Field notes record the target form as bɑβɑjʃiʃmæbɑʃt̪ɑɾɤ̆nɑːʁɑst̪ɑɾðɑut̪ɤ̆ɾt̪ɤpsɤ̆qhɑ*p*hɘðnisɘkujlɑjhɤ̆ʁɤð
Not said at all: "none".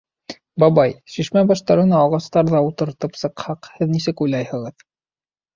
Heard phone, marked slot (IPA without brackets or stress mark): q